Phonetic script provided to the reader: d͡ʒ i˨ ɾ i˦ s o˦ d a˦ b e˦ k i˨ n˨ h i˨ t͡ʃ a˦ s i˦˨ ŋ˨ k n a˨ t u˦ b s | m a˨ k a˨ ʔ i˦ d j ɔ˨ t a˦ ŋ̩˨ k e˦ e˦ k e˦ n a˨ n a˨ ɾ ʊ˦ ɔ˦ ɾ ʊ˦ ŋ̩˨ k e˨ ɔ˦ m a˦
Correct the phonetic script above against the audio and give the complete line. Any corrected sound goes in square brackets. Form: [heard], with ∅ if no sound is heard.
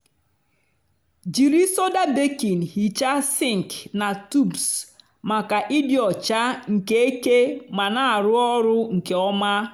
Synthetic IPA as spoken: d͡ʒ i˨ ɾ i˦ s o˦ d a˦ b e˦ k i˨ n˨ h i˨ t͡ʃ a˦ s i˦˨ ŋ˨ k n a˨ t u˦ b s | m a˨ k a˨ ʔ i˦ d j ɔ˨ [t͡ʃ] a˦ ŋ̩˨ k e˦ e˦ k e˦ [m] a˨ n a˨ ɾ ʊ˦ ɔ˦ ɾ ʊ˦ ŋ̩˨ k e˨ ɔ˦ m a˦